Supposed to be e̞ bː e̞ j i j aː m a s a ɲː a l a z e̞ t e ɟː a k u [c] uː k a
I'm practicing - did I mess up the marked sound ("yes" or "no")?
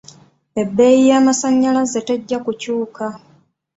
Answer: no